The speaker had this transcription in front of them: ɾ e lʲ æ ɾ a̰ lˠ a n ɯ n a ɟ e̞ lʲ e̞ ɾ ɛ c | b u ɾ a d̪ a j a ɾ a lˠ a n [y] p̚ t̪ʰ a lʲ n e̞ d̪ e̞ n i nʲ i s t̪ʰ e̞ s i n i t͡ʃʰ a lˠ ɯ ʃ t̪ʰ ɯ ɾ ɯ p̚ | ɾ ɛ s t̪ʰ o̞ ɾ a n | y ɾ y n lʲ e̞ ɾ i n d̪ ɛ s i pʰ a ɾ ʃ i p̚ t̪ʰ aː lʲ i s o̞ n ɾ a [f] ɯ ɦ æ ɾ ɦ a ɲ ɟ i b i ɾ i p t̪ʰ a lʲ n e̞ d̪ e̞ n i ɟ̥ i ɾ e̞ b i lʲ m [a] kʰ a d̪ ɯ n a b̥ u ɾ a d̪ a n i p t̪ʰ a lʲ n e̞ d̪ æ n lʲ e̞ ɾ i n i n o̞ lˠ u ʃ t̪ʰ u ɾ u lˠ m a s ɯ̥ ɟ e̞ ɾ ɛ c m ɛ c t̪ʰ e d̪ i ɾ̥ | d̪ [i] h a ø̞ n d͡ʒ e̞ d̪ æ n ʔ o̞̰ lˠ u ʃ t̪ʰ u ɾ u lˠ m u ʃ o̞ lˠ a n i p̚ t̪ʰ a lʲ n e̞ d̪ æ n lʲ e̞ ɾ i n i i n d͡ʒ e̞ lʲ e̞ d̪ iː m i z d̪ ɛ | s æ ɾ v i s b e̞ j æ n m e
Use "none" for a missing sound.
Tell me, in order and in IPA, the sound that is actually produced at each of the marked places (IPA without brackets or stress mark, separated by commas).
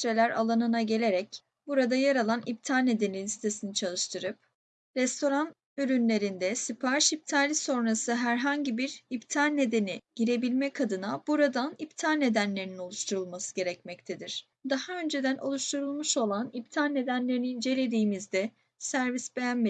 i, s, ɛ, a